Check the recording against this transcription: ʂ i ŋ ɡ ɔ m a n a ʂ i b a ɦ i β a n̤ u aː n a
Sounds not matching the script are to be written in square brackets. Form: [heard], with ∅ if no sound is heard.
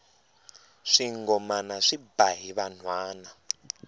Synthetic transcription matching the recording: ʂ i ŋ ɡ ɔ m a n a ʂ i b a ɦ i β a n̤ [w] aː n a